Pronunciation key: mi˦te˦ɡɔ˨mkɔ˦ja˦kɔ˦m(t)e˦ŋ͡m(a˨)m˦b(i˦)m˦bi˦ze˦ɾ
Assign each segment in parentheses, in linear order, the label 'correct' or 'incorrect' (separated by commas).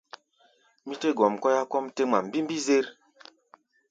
correct, correct, correct